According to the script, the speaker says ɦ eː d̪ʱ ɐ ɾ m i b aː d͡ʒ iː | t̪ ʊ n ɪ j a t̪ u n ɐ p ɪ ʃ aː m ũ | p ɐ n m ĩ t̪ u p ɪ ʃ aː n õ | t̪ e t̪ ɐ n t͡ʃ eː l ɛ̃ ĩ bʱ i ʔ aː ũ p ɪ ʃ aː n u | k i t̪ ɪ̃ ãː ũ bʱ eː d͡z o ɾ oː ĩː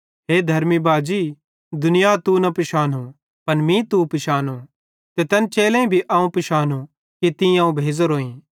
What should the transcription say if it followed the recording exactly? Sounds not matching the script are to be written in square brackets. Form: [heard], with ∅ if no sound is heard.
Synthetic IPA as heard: ɦ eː d̪ʱ ɐ ɾ m i b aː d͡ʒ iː | [d̪] ʊ n ɪ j a t̪ u n ɐ p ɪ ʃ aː [n] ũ | p ɐ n m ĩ t̪ u p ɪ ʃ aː n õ | t̪ e t̪ ɐ n t͡ʃ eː l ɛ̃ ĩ bʱ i ʔ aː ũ p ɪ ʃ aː n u | k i t̪ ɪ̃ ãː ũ bʱ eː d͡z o ɾ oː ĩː

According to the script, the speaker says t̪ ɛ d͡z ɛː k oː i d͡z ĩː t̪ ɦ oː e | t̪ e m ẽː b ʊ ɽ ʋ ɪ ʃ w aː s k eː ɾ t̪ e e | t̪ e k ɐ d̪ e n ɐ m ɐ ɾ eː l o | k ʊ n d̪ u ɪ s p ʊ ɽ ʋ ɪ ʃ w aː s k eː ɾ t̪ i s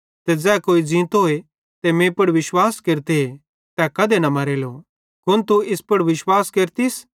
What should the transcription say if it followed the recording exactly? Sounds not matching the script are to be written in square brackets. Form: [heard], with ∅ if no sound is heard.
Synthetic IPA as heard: t̪ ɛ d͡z ɛː k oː i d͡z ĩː t̪ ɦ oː e | t̪ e m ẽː [p] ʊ ɽ ʋ ɪ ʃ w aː s k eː ɾ t̪ e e | t̪ [ɛ] k ɐ d̪ e n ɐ m ɐ ɾ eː l o | k ʊ n [t̪] u ɪ s p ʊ ɽ ʋ ɪ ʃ w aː s k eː ɾ t̪ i s

